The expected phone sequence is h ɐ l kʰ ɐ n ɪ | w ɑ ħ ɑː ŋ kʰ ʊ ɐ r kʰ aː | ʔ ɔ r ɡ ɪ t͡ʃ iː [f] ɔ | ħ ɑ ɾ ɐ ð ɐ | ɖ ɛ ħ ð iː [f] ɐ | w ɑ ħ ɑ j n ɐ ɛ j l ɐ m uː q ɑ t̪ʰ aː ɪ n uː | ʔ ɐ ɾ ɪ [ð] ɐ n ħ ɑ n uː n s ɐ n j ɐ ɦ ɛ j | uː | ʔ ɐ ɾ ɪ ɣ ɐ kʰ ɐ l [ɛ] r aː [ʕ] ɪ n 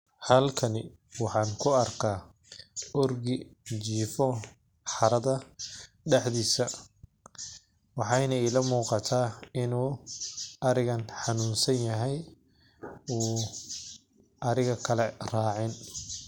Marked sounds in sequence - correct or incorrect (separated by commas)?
correct, incorrect, incorrect, correct, correct